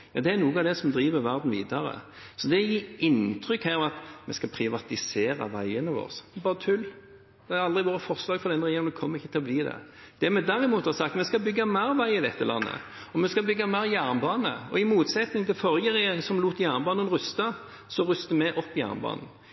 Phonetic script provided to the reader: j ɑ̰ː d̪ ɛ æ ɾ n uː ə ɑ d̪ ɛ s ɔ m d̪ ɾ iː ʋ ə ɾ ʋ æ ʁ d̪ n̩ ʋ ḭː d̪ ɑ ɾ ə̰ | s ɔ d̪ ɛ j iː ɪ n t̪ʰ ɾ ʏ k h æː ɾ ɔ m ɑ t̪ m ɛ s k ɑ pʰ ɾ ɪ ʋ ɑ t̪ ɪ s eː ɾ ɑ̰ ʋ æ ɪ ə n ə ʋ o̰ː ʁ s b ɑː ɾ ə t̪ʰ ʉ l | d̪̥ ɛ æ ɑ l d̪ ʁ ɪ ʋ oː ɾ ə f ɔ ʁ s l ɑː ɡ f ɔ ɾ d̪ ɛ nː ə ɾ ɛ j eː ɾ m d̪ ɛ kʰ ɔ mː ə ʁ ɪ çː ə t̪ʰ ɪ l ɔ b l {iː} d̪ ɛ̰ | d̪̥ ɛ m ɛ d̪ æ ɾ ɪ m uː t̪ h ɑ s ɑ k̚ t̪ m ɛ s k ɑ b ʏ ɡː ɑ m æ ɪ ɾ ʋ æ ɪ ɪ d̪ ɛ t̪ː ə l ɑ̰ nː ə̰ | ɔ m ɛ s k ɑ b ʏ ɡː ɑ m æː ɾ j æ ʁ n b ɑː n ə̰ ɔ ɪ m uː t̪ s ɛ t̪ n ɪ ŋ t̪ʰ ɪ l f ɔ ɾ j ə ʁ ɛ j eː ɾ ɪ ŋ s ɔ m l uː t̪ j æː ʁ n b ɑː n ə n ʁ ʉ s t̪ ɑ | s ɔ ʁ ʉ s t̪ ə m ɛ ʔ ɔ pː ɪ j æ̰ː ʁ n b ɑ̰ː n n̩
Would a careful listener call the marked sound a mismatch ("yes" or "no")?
no